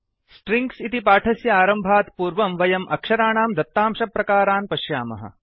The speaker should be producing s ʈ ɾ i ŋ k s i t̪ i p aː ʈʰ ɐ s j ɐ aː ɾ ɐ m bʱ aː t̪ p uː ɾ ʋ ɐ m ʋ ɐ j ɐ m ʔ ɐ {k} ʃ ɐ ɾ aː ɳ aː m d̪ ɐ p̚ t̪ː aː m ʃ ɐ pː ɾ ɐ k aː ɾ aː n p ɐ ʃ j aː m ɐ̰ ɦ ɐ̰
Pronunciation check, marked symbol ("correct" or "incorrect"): correct